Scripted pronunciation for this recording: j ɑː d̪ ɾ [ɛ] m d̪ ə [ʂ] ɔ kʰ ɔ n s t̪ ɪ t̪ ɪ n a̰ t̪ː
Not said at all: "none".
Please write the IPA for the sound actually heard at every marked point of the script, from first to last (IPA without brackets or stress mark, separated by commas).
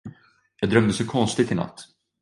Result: œ, s